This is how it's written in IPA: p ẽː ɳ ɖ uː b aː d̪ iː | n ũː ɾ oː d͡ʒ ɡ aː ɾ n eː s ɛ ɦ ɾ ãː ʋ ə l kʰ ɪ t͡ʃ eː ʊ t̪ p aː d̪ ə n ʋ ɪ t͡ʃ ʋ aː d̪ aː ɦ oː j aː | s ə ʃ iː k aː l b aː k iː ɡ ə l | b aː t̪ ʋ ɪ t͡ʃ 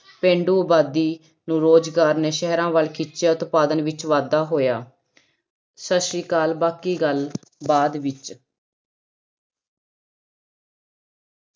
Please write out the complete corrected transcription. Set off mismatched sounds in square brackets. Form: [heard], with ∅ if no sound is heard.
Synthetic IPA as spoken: p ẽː ɳ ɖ uː b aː d̪ iː | n ũː ɾ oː d͡ʒ ɡ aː ɾ n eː [ʃ] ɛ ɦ ɾ ãː ʋ ə l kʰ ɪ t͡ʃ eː ʊ t̪ p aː d̪ ə n ʋ ɪ t͡ʃ ʋ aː d̪ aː ɦ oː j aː | s ə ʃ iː k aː l b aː k iː ɡ ə l | b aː [d̪] ʋ ɪ t͡ʃ